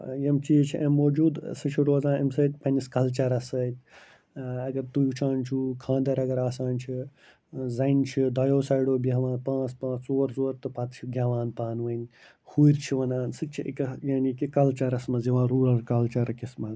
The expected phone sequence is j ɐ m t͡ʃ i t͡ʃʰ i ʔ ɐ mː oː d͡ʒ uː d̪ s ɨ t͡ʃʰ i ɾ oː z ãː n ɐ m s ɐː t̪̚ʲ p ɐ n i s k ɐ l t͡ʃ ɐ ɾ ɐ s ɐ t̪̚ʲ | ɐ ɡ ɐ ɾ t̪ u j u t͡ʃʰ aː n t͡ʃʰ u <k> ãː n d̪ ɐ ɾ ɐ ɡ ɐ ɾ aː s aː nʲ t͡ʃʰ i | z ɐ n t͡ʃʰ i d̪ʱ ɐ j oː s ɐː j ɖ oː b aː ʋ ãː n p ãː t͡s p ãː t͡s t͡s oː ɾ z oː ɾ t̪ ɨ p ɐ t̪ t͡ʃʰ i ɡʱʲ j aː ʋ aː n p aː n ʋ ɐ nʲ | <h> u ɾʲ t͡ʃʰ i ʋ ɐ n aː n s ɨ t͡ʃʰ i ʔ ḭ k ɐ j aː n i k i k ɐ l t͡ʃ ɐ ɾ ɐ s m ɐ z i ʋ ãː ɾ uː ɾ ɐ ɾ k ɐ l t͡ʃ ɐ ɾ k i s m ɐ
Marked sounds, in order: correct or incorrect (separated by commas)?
incorrect, correct